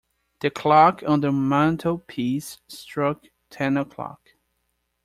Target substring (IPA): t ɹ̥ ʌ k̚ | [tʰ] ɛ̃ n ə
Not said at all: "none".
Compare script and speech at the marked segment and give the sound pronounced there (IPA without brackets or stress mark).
tʰ